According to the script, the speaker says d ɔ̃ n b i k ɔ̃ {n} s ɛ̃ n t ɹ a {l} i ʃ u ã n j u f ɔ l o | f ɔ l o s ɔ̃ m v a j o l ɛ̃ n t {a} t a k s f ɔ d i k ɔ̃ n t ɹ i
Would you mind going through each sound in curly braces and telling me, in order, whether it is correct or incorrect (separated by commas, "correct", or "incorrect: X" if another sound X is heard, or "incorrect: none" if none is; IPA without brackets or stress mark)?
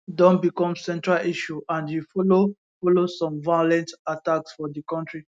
incorrect: m, correct, correct